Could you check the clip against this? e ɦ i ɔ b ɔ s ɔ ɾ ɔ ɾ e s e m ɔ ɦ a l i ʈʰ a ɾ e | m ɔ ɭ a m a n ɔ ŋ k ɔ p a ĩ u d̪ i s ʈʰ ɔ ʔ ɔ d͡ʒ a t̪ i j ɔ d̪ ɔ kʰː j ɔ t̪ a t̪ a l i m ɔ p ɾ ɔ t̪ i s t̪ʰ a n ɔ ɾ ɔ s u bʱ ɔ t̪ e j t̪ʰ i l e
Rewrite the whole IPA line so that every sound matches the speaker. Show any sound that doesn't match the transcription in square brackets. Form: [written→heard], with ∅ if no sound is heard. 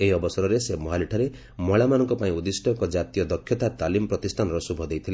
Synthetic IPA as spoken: e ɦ i ɔ b ɔ s ɔ ɾ ɔ ɾ e s e m ɔ ɦ a l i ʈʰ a ɾ e | m ɔ ɭ a m a n ɔ ŋ k ɔ p a ĩ u d̪ i s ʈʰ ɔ [ʔ→k] ɔ d͡ʒ a t̪ i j ɔ d̪ ɔ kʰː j ɔ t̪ a t̪ a l i m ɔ p ɾ ɔ t̪ i s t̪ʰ a n ɔ ɾ ɔ s u bʱ ɔ [t̪→d̪] e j t̪ʰ i l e

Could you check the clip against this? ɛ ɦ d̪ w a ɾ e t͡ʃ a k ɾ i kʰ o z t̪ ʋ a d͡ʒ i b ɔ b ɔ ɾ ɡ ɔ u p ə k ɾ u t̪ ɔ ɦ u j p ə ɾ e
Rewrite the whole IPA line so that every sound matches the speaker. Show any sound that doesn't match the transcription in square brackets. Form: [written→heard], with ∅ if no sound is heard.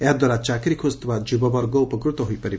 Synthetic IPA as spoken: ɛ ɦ d̪ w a ɾ [e→a] t͡ʃ a k ɾ i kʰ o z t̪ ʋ a d͡ʒ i b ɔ b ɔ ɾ ɡ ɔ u p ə k ɾ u t̪ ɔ ɦ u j p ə ɾ [e→i]

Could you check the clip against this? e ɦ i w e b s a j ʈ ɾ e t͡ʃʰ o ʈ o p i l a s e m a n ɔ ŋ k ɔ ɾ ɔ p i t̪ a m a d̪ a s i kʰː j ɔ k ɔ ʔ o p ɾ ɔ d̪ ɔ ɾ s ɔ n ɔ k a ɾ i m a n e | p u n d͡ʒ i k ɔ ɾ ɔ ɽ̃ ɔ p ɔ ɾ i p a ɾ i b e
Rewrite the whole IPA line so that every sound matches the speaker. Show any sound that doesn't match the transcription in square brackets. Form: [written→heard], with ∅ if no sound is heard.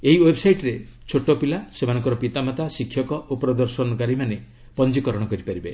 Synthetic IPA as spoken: e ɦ i w e b s a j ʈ ɾ e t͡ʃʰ o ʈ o p i l a s e m a n ɔ ŋ k ɔ ɾ ɔ p i t̪ a m a [d̪→t̪] a s i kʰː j ɔ k ɔ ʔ o p ɾ ɔ d̪ ɔ ɾ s ɔ n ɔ k a ɾ i m a n e | p [u→ɔ] n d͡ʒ i k ɔ ɾ ɔ ɽ̃ ɔ [p→k] ɔ ɾ i p a ɾ i b e

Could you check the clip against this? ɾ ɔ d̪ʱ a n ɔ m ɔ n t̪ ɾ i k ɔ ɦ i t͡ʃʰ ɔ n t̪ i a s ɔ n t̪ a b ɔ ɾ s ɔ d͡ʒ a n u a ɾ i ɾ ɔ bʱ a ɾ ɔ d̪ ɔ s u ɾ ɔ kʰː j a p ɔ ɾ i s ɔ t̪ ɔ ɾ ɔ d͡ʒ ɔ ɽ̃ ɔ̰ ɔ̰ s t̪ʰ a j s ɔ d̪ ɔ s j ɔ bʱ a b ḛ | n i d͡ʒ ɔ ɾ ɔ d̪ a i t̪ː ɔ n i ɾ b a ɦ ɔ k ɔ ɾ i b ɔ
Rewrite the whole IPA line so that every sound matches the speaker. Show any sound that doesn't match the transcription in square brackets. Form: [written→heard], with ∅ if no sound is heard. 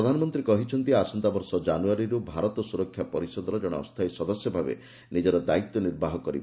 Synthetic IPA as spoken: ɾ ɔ d̪ʱ a n ɔ m ɔ n t̪ ɾ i k ɔ ɦ i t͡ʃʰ ɔ n t̪ i a s ɔ n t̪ a b ɔ ɾ s ɔ d͡ʒ a n u a ɾ i ɾ [ɔ→u] bʱ a ɾ ɔ [d̪→t̪] ɔ s u ɾ ɔ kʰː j a p ɔ ɾ i s ɔ [t̪→d̪] ɔ ɾ ɔ d͡ʒ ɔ ɽ̃ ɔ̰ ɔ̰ s t̪ʰ a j s ɔ d̪ ɔ s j ɔ bʱ a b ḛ | n i d͡ʒ ɔ ɾ ɔ d̪ a i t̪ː ɔ n i ɾ b a ɦ ɔ k ɔ ɾ i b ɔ

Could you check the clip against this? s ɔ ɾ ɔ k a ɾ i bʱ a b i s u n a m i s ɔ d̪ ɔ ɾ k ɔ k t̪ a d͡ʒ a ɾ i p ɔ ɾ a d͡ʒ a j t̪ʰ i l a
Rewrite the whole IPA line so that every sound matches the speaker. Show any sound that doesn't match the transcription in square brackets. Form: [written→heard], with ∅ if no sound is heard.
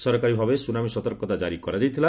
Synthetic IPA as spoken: s ɔ ɾ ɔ k a ɾ i bʱ a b [i→e] s u n a m i s ɔ [d̪→t̪] ɔ ɾ k ɔ [k→∅] t̪ a d͡ʒ a ɾ i [p→k] ɔ ɾ a d͡ʒ a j t̪ʰ i l a

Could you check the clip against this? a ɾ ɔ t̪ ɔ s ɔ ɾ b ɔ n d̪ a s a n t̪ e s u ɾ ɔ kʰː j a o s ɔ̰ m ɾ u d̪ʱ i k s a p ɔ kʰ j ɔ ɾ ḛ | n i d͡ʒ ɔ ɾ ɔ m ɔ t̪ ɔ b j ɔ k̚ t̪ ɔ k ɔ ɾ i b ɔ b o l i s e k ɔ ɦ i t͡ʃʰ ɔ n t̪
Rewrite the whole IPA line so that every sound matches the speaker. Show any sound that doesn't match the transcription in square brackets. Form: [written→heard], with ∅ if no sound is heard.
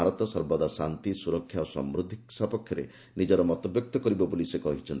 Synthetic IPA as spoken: a ɾ ɔ t̪ ɔ s ɔ ɾ b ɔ [n→∅] d̪ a s a n t̪ [e→i] s u ɾ ɔ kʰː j a o s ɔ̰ m ɾ u d̪ʱ i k s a p ɔ kʰ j ɔ ɾ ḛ | n i d͡ʒ ɔ ɾ ɔ m ɔ t̪ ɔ b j ɔ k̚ t̪ ɔ k ɔ ɾ i b ɔ b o l i s e k ɔ ɦ i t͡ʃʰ ɔ n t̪

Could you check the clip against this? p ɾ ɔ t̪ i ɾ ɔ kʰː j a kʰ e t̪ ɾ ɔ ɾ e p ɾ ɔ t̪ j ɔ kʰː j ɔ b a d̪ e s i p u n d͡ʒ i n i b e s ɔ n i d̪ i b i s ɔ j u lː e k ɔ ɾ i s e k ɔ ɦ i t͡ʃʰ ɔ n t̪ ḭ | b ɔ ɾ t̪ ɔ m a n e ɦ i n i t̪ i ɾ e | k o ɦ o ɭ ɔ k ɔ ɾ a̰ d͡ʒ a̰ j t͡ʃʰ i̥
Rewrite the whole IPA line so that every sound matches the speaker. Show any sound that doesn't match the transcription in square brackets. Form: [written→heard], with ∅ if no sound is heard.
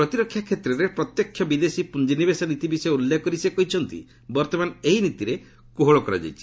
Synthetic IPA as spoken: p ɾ ɔ t̪ i ɾ ɔ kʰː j a kʰ e t̪ ɾ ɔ ɾ e p ɾ ɔ t̪ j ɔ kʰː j ɔ b [a→i] d̪ e s i p u n d͡ʒ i n i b e s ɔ n i [d̪→t̪] i b i s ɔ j u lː e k ɔ ɾ i s e k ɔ ɦ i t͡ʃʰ ɔ n t̪ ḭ | b ɔ ɾ t̪ ɔ m a n e ɦ i n i t̪ i ɾ e | k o ɦ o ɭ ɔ k ɔ ɾ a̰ d͡ʒ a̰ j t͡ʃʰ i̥

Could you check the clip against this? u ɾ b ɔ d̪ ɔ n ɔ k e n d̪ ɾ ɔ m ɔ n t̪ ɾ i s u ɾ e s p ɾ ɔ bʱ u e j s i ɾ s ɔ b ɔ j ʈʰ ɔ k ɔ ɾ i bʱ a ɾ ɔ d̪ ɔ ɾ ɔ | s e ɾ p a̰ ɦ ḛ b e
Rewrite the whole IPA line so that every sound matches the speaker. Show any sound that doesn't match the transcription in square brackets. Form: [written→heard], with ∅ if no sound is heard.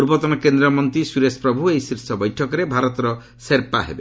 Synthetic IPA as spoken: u ɾ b ɔ [d̪→t̪] ɔ n ɔ k e n d̪ ɾ ɔ m ɔ n t̪ ɾ i s u ɾ e s p ɾ ɔ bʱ u e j s i ɾ s ɔ b ɔ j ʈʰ ɔ k ɔ ɾ [i→e] bʱ a ɾ ɔ [d̪→t̪] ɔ ɾ ɔ | s e ɾ p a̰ ɦ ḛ b e

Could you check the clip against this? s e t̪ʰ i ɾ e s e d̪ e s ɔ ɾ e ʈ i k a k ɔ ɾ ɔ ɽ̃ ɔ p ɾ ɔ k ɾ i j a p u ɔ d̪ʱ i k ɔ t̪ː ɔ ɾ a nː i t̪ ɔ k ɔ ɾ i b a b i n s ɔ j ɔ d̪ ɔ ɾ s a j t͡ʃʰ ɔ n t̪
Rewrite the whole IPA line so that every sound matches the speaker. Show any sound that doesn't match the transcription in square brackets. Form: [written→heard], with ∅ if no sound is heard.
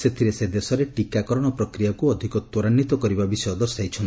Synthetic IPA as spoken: s e t̪ʰ i ɾ e s e d̪ e s ɔ ɾ e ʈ i k a k ɔ ɾ ɔ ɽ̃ ɔ p ɾ ɔ k ɾ i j a [p→k] u ɔ d̪ʱ i k ɔ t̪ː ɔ ɾ a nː i t̪ ɔ k ɔ ɾ i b a b i [n→∅] s ɔ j ɔ d̪ ɔ ɾ s a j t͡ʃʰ ɔ n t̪

